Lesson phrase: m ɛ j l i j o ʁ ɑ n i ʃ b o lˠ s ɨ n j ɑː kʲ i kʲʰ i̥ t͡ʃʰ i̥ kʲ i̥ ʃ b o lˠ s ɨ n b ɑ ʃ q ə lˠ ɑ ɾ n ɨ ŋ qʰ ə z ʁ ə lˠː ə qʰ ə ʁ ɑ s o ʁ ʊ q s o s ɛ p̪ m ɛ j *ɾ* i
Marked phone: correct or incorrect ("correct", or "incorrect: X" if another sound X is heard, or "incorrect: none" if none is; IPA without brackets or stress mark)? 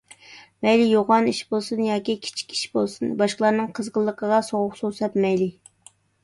incorrect: l